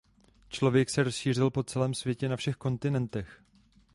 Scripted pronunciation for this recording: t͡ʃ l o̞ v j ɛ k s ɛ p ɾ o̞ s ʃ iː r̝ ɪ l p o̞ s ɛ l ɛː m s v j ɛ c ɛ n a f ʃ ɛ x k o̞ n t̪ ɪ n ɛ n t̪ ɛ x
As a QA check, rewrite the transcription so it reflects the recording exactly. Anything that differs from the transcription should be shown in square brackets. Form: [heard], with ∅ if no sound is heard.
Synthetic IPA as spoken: t͡ʃ l o̞ v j ɛ k s ɛ [∅] ɾ o̞ s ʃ iː r̝ ɪ l p o̞ [t͡s] ɛ l ɛː m s v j ɛ c ɛ n a f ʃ ɛ x k o̞ n t̪ ɪ n ɛ n t̪ ɛ x